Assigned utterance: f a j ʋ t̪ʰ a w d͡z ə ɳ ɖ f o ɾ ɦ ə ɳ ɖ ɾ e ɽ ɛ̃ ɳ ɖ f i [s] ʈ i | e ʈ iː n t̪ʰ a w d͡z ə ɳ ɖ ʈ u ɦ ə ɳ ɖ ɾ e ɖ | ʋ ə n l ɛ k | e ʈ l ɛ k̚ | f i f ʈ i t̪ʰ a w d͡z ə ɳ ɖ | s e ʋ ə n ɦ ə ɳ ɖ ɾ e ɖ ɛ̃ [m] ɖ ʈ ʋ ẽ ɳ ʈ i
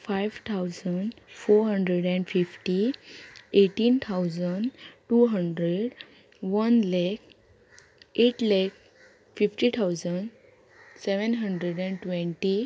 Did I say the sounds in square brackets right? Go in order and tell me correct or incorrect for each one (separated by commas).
incorrect, incorrect